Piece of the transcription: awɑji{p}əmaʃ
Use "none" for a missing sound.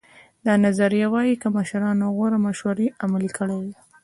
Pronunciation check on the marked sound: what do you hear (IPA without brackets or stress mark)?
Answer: k